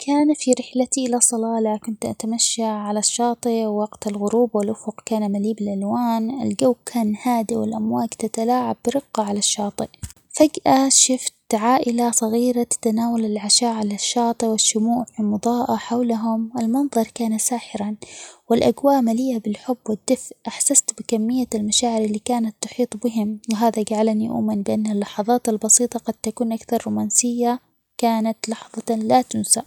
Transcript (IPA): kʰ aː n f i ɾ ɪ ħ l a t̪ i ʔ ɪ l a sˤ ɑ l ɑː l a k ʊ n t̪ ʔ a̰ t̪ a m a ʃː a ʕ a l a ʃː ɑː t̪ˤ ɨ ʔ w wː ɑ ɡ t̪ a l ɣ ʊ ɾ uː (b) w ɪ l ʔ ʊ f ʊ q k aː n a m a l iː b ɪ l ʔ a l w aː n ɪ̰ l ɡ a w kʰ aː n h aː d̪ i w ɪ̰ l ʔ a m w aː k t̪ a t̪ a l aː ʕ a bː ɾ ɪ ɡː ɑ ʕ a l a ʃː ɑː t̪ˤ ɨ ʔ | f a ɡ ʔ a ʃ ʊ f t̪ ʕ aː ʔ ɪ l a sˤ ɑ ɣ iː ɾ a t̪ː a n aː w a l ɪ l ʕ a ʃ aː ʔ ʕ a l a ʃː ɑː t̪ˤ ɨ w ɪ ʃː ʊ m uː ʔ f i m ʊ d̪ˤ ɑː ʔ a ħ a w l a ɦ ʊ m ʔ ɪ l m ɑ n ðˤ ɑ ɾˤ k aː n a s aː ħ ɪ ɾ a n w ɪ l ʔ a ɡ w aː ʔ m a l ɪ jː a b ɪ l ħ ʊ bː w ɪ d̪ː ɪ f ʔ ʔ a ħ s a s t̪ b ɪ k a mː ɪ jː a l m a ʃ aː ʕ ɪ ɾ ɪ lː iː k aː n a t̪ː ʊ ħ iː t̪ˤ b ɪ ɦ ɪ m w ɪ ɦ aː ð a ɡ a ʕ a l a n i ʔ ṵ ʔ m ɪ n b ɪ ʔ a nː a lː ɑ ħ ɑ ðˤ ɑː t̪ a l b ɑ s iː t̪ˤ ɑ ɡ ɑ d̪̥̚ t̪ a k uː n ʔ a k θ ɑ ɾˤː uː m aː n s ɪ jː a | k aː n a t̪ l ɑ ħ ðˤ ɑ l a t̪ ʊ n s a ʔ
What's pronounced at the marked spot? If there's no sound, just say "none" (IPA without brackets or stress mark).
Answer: b